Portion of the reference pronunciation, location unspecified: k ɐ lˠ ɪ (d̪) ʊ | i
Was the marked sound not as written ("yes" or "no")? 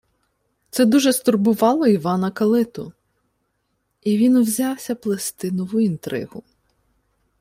yes